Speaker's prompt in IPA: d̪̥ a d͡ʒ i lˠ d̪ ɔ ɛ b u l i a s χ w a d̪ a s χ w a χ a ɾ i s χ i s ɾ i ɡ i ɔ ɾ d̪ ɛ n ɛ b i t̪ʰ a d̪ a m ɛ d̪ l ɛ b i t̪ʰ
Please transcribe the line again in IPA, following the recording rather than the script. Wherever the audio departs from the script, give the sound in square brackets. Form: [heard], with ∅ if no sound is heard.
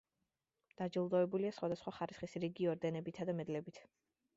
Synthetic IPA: d̪̥ a d͡ʒ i lˠ d̪ ɔ ɛ b u l i a s χ w a d̪ a s χ w a χ a ɾ i s χ i s ɾ i ɡ i ɔ ɾ d̪ ɛ n ɛ b i t̪ʰ a d̪ a m ɛ d̪ l ɛ b i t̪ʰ